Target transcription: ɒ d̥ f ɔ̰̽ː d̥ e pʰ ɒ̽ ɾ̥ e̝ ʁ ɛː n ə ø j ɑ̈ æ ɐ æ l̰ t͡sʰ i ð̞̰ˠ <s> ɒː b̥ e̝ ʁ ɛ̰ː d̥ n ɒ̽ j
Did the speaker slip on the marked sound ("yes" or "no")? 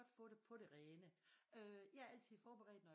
yes